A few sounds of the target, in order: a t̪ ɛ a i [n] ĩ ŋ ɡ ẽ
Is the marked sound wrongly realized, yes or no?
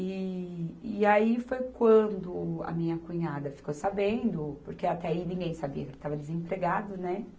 no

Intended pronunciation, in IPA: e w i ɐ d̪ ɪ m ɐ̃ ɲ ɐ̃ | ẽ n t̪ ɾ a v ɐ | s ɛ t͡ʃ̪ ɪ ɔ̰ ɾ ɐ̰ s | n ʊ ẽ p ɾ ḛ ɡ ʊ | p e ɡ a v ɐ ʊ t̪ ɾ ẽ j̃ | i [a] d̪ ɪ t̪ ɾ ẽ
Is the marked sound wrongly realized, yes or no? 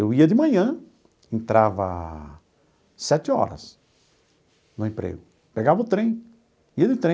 yes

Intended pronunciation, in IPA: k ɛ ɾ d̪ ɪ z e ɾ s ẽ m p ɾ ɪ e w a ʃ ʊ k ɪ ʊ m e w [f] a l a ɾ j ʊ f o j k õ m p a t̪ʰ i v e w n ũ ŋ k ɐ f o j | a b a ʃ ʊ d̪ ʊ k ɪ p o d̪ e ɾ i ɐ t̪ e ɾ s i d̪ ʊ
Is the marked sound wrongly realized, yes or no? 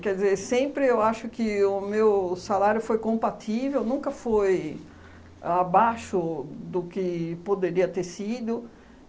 yes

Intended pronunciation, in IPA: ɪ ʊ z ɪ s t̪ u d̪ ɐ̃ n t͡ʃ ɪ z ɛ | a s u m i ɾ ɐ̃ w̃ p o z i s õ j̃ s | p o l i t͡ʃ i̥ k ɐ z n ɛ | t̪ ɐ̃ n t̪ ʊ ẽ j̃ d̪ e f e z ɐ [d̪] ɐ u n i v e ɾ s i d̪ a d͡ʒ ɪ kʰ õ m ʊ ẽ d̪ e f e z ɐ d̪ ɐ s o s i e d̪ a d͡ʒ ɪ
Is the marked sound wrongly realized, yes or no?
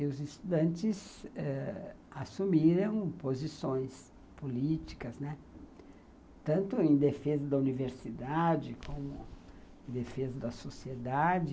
no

